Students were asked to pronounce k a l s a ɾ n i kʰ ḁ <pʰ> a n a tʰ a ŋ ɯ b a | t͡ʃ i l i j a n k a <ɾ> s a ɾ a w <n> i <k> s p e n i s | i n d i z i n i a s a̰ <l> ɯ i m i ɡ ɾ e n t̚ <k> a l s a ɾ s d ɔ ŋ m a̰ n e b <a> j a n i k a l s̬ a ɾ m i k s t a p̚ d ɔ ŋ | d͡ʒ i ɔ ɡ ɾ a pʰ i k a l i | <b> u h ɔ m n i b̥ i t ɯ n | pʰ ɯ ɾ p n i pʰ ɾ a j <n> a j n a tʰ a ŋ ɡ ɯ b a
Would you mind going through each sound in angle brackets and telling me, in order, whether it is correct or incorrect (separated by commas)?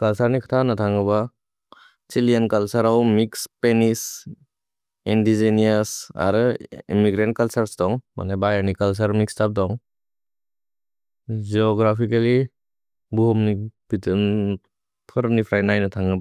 incorrect, incorrect, incorrect, correct, incorrect, correct, correct, correct, correct